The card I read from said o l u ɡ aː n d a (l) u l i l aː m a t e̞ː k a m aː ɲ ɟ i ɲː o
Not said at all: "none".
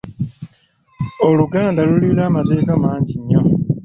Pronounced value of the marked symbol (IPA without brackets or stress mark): l